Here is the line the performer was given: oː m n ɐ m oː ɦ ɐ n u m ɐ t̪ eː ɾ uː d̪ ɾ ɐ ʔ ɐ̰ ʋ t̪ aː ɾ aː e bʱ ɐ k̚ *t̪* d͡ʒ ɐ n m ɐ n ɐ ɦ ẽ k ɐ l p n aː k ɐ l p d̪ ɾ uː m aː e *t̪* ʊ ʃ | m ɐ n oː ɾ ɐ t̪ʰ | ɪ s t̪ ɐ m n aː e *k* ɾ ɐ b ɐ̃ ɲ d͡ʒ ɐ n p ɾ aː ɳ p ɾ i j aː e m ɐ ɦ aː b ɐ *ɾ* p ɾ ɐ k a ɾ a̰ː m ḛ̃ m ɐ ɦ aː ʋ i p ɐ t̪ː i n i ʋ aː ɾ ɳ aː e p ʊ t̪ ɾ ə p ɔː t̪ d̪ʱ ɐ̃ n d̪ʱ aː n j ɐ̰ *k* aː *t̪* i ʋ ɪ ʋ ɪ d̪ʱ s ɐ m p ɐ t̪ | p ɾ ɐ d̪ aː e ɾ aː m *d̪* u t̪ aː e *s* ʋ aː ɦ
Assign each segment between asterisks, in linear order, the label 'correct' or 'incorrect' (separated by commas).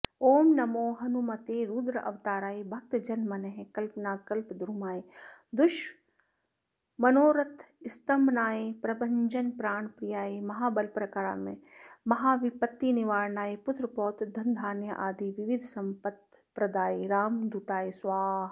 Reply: correct, incorrect, incorrect, incorrect, incorrect, incorrect, correct, correct